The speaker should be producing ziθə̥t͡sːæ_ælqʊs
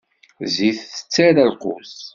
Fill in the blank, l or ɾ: ɾ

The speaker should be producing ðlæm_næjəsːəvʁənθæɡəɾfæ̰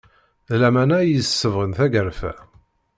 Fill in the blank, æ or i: æ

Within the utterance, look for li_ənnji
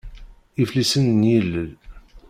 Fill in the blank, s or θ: s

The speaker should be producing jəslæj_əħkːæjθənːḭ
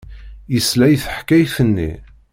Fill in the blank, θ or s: θ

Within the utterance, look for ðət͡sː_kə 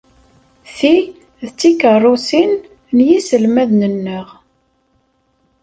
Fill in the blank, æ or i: i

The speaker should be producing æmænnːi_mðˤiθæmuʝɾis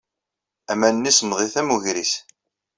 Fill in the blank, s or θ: s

